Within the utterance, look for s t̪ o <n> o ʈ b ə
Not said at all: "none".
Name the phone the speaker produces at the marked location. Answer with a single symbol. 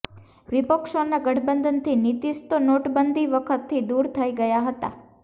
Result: n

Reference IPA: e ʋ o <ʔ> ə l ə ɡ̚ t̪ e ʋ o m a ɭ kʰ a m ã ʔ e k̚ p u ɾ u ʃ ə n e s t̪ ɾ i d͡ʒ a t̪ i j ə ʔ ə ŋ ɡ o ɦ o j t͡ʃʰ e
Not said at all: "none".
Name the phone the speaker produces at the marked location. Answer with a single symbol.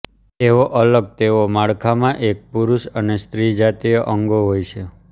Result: ʔ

